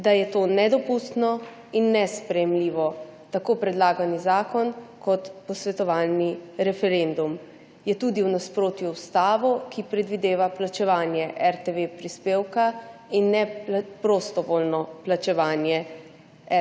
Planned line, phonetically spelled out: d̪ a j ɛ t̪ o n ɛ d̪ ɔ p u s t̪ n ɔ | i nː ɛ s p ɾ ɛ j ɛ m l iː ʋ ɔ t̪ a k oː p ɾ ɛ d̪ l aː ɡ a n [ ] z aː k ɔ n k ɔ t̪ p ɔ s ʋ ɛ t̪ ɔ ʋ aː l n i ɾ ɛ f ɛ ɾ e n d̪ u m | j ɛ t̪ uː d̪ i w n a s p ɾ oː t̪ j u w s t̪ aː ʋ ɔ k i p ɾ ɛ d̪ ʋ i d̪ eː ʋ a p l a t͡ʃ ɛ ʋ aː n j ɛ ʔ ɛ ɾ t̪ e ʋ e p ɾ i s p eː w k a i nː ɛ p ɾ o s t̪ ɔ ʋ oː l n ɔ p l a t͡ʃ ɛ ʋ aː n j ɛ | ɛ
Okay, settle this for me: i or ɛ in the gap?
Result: i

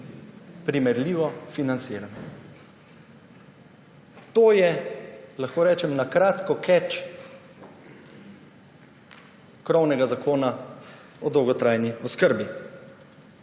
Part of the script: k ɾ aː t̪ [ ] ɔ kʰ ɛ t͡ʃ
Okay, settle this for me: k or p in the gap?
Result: k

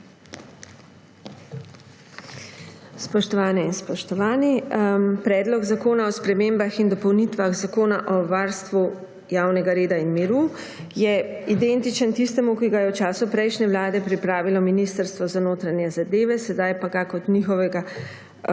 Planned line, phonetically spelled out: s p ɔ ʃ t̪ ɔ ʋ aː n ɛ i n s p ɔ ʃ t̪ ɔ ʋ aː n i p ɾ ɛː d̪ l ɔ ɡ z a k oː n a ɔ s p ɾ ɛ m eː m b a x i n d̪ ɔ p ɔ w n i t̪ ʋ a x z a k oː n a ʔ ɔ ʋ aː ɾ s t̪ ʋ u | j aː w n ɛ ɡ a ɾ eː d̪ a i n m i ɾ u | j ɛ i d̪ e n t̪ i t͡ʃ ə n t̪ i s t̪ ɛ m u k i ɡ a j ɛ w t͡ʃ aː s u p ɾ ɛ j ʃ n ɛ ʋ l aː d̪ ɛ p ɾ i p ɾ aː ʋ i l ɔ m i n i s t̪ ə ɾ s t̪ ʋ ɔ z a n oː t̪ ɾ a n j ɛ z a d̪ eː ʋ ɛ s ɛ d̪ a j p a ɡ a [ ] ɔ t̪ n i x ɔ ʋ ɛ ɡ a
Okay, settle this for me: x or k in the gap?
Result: k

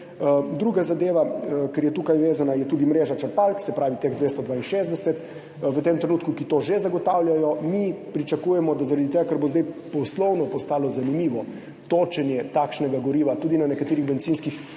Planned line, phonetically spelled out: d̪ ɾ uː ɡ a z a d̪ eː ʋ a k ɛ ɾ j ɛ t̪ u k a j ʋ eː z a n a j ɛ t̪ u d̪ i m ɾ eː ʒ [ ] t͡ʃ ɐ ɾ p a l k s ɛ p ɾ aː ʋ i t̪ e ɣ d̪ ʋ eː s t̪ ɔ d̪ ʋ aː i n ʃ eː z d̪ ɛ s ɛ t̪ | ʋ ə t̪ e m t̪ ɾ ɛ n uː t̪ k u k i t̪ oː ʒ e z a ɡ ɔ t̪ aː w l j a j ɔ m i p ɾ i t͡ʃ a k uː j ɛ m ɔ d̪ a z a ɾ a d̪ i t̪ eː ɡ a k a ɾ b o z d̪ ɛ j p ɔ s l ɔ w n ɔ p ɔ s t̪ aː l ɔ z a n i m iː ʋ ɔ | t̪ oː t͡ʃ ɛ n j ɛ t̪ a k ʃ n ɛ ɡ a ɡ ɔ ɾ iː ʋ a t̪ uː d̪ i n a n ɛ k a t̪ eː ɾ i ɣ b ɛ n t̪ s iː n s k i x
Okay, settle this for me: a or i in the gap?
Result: a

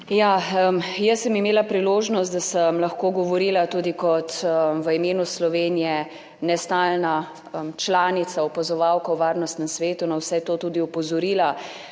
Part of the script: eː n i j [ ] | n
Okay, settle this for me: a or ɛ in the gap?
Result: ɛ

